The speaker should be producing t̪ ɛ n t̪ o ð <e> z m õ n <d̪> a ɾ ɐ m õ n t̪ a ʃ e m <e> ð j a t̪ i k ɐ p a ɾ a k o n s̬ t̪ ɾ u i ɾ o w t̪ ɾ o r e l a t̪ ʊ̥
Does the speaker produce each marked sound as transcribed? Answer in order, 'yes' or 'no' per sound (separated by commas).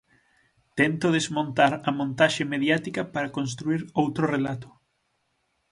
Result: yes, no, yes